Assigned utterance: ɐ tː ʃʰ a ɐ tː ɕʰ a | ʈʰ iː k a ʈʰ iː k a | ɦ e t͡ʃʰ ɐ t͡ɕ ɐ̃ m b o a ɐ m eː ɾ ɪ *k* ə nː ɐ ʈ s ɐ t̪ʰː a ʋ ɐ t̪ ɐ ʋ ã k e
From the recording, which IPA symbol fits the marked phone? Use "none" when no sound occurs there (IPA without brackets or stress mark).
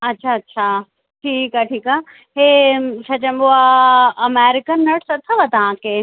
k